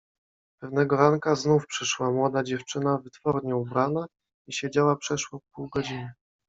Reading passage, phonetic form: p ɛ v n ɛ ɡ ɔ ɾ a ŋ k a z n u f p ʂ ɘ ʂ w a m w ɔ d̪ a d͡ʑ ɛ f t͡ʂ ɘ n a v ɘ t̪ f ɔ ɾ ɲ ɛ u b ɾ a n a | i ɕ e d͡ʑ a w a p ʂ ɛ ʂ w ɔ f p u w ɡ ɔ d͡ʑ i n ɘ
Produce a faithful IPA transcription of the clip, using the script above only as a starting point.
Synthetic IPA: p ɛ v n ɛ ɡ ɔ ɾ a ŋ k a z n u f p ʂ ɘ ʂ w a m w ɔ d̪ a d͡ʑ ɛ f t͡ʂ ɘ n a v ɘ t̪ f ɔ ɾ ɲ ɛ u b ɾ a n a | i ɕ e d͡ʑ a w a p ʂ ɛ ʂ w ɔ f p u w ɡ ɔ d͡ʑ i n ɘ